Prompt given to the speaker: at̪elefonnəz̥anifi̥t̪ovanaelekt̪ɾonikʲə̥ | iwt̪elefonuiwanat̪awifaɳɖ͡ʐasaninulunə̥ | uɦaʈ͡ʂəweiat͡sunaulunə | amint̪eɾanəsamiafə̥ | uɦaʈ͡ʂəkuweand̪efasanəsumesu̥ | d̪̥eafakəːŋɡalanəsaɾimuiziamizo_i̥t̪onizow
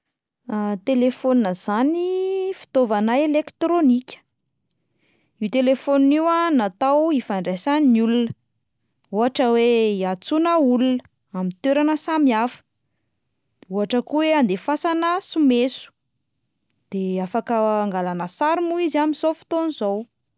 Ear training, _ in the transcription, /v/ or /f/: f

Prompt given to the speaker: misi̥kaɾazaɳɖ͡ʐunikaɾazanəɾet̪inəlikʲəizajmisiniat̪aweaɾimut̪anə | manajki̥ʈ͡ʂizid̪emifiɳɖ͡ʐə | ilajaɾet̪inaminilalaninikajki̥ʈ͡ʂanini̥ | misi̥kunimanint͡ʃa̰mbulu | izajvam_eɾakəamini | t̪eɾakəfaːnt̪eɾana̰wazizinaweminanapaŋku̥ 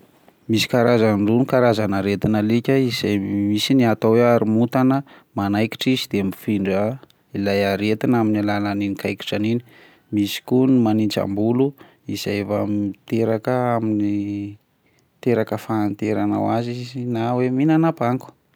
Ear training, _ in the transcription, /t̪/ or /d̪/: t̪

